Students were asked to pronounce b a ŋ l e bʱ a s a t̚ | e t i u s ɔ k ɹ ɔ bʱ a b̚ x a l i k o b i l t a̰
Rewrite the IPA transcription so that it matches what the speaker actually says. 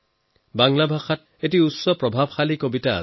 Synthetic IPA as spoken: b a ŋ l a bʱ a x a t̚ | e t i u s ɔ p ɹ ɔ bʱ a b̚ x a l i k o b i t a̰